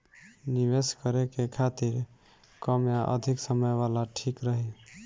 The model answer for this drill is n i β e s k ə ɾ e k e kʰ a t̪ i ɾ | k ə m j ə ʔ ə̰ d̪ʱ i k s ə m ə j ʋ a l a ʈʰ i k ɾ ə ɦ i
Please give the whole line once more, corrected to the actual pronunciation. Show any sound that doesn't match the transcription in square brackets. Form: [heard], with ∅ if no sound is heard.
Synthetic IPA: n i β e s k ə ɾ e k e kʰ a t̪ i ɾ | k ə m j [a] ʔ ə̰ d̪ʱ i k s ə m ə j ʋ a l a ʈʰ i k ɾ ə ɦ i